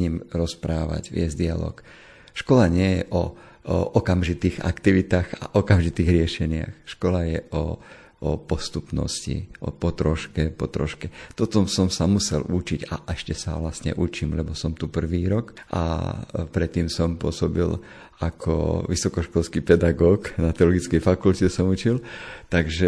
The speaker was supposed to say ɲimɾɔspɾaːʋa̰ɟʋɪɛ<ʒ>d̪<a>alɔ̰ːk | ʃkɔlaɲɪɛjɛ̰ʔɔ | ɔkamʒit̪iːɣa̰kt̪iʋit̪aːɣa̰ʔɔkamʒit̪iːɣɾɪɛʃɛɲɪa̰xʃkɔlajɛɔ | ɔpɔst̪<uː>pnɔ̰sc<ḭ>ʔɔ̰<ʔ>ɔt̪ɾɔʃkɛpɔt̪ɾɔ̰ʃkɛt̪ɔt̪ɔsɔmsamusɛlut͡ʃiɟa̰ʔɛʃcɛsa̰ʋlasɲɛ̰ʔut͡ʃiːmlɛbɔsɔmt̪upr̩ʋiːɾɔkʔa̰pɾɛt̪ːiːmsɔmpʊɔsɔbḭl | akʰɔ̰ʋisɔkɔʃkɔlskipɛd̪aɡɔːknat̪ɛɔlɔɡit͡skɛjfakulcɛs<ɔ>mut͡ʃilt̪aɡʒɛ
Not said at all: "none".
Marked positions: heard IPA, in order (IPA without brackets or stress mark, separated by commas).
z, i, u, ḭ, p, ɔ